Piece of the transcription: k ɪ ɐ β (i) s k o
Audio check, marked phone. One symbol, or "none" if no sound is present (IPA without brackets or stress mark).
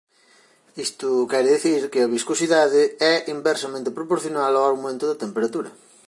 i